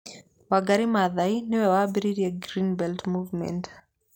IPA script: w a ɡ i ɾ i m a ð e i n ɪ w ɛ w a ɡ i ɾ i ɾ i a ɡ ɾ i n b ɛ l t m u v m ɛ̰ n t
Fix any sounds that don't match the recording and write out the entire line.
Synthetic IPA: w a ɡ a ɾ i m a ð a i n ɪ w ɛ w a b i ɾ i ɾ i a ɡ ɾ i n b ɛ l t m u v m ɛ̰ n t